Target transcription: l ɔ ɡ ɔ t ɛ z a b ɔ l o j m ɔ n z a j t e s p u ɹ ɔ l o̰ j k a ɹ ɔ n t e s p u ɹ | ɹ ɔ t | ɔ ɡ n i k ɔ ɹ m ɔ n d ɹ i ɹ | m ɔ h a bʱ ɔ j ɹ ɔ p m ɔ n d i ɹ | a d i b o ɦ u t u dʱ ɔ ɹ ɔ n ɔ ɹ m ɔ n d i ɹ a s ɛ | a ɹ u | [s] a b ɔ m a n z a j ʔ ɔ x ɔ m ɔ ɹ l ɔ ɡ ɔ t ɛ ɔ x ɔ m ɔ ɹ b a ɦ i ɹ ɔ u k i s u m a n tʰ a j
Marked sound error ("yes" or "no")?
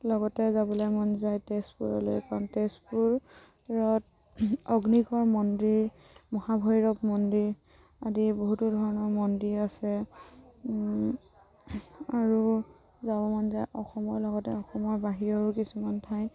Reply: yes